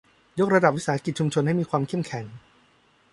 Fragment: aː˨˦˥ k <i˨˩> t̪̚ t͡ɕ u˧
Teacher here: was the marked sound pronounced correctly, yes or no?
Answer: yes